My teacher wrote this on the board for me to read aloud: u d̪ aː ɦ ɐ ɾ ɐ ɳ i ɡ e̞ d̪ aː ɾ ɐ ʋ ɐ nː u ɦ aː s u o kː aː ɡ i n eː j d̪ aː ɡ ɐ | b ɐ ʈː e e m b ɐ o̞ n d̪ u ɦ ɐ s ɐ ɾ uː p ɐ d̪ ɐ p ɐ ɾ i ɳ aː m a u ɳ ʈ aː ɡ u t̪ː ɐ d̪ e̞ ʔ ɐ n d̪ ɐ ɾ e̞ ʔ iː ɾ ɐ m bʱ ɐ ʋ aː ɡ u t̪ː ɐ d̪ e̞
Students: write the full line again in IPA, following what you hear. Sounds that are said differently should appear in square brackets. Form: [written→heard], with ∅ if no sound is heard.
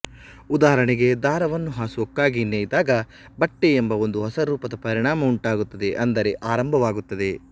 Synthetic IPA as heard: u d̪ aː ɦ ɐ ɾ ɐ ɳ i ɡ e̞ d̪ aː ɾ ɐ ʋ ɐ nː u ɦ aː s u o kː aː ɡ i n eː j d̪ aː ɡ ɐ | b ɐ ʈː e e m b ɐ o̞ n d̪ u ɦ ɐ s ɐ ɾ uː p ɐ d̪ ɐ p ɐ ɾ i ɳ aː m [a→ɐ] u ɳ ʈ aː ɡ u t̪ː ɐ d̪ e̞ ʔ ɐ n d̪ ɐ ɾ e̞ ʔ [iː→aː] ɾ ɐ m bʱ ɐ ʋ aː ɡ u t̪ː ɐ d̪ e̞

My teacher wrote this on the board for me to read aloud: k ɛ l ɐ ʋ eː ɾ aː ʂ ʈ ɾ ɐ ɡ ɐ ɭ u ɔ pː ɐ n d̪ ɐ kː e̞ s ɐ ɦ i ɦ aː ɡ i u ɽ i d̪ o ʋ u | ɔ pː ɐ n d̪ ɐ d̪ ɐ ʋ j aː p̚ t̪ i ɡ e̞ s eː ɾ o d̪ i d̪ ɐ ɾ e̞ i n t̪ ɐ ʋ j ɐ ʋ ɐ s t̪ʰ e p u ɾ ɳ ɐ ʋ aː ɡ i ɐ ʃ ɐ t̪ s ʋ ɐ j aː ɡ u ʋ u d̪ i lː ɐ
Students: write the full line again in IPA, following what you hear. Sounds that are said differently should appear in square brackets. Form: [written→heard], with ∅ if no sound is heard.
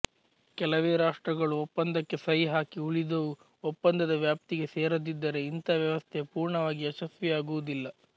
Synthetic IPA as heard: k ɛ l ɐ ʋ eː ɾ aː ʂ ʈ ɾ ɐ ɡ ɐ ɭ u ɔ pː ɐ n d̪ ɐ kː e̞ s ɐ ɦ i ɦ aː [ɡ→k] i u [ɽ→ɭ] i d̪ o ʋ u | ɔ pː ɐ n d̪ ɐ d̪ ɐ ʋ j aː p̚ t̪ i ɡ e̞ s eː ɾ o d̪ i [d̪→d̪ː] ɐ ɾ e̞ i n t̪ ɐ ʋ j ɐ ʋ ɐ s t̪ʰ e p [u→uː] ɾ ɳ ɐ ʋ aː ɡ i ɐ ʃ ɐ [t̪→∅] s ʋ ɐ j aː ɡ u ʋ u d̪ i lː ɐ

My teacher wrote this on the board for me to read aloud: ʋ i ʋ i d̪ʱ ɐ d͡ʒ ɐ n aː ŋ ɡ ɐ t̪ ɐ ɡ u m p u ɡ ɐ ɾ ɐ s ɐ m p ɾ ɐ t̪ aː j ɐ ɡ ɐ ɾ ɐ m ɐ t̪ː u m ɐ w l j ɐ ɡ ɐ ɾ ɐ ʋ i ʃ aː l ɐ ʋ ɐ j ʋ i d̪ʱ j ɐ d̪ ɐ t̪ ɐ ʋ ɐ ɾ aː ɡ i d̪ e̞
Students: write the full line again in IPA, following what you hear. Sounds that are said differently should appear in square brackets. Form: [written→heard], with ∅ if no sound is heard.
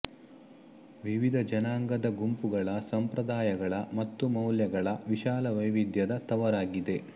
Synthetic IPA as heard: ʋ i ʋ i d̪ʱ ɐ d͡ʒ ɐ n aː ŋ ɡ ɐ [t̪→d̪] ɐ ɡ u m p u ɡ ɐ [ɾ→ɭ] ɐ s ɐ m p ɾ ɐ [t̪→d̪] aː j ɐ ɡ ɐ [ɾ→ɭ] ɐ m ɐ t̪ː u m ɐ w l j ɐ ɡ ɐ [ɾ→ɭ] ɐ ʋ i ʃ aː l ɐ ʋ ɐ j ʋ i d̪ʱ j ɐ d̪ ɐ t̪ ɐ ʋ ɐ ɾ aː ɡ i d̪ e̞

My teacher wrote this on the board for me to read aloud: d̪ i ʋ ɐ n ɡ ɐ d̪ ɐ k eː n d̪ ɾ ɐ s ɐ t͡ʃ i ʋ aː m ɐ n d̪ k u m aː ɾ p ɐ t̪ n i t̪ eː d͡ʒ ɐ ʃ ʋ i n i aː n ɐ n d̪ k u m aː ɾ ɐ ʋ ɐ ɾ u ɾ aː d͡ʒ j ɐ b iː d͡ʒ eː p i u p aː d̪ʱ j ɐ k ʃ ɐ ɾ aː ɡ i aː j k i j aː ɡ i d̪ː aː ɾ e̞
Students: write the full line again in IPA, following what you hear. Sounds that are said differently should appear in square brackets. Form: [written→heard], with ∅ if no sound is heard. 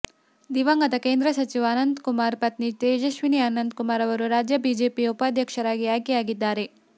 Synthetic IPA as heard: d̪ i ʋ ɐ [n→ŋ] ɡ ɐ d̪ ɐ k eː n d̪ ɾ ɐ s ɐ t͡ʃ i ʋ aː [m→n] ɐ n d̪ k u m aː ɾ p ɐ t̪ n i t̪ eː d͡ʒ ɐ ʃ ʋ i n i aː n ɐ n d̪ k u m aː ɾ ɐ ʋ ɐ ɾ u ɾ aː d͡ʒ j ɐ b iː d͡ʒ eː p i u p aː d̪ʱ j ɐ k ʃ ɐ ɾ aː ɡ i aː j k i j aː ɡ i d̪ː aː ɾ e̞

